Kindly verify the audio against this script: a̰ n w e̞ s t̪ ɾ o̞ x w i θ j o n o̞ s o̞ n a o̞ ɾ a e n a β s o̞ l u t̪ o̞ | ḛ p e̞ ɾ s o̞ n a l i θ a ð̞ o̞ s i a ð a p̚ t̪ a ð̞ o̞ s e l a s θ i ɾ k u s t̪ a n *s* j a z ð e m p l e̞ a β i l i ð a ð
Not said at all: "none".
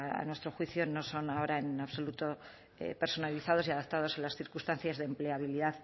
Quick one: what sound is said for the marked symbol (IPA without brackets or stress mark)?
θ